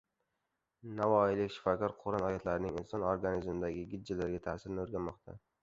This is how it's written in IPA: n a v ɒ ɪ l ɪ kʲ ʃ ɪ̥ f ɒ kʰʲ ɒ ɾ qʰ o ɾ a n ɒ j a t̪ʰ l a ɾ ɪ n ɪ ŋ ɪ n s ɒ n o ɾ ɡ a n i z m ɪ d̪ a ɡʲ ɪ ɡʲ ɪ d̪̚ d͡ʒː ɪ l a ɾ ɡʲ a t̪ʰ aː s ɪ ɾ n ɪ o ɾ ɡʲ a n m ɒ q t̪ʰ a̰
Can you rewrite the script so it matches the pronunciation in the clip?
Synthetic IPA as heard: n a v ɒ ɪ l ɪ kʲ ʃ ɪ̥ f ɒ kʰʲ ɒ ɾ qʰ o ɾ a n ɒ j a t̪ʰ l a ɾ ɪ n ɪ ŋ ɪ n s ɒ n o ɾ ɡ a n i z m ɪ d̪ a ɡʲ ɪ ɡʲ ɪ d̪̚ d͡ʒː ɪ l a ɾ ɡʲ a t̪ʰ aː s ɪ ɾ n ɪ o ɾ ɡʲ a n m ɒ q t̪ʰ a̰